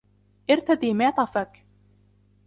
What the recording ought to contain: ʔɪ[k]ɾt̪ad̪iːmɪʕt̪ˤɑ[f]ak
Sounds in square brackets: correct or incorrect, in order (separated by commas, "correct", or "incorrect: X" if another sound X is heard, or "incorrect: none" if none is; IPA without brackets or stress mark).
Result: incorrect: none, correct